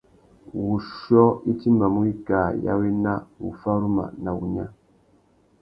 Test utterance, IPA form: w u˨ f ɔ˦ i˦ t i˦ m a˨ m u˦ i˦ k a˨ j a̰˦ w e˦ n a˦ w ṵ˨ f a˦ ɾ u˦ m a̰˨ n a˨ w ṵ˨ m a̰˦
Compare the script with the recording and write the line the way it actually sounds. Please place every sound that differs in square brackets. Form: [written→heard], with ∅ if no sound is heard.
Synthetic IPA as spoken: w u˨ [f→ʃ] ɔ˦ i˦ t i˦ m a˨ m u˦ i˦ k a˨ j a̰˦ w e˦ n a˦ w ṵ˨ f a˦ ɾ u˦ m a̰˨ n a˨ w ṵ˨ [m→ɲ] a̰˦